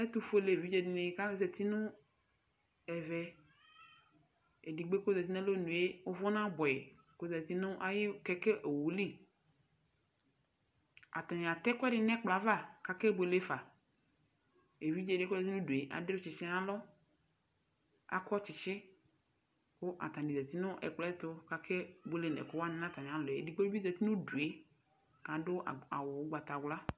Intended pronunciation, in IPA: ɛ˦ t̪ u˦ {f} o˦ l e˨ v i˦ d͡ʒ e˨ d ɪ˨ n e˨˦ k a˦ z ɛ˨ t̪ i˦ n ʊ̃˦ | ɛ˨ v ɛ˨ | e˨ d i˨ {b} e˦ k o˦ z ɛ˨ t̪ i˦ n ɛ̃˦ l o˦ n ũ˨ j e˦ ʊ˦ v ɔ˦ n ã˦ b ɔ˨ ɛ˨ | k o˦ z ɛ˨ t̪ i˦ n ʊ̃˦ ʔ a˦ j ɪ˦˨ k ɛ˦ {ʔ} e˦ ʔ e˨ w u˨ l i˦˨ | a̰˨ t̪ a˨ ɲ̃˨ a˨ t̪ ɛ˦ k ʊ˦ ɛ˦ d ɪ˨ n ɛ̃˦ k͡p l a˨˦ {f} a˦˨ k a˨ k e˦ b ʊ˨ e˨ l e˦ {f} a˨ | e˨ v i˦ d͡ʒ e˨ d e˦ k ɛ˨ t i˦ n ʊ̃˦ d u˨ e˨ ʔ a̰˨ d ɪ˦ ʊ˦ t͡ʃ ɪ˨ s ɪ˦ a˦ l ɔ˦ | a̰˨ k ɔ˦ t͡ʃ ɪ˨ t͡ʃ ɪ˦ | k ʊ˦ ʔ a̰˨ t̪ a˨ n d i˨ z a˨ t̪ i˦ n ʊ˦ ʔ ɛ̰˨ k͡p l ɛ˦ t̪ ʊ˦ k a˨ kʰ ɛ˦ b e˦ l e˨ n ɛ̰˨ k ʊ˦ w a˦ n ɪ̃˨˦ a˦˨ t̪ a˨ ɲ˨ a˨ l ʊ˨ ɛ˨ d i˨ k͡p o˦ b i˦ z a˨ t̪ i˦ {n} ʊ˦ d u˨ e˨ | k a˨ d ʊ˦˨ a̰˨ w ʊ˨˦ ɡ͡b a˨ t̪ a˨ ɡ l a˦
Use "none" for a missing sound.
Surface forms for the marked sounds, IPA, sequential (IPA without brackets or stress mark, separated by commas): f, ɡ͡b, k, v, f, n